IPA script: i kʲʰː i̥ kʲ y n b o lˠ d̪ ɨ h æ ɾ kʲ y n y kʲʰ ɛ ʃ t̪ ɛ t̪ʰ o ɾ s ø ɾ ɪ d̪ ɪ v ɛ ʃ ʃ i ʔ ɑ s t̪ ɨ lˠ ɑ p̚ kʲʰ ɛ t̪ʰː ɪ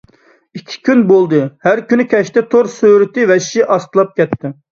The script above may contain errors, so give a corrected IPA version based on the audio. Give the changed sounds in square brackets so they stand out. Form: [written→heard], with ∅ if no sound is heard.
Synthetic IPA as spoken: i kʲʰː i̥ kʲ y n b o lˠ d̪ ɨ h æ ɾ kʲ y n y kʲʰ ɛ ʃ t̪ ɛ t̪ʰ o ɾ s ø ɾ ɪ [d̪→t̪] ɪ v ɛ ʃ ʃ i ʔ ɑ s t̪ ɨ lˠ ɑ p̚ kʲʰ ɛ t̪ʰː ɪ